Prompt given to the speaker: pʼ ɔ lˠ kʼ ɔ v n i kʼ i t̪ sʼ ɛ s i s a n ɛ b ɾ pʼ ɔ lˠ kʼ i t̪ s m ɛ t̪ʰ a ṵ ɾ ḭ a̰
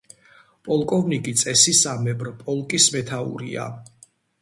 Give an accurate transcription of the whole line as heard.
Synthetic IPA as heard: pʼ ɔ lˠ kʼ ɔ v n i kʼ i t̪ sʼ ɛ s i s a m ɛ b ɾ pʼ ɔ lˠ kʼ i s m ɛ t̪ʰ a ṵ ɾ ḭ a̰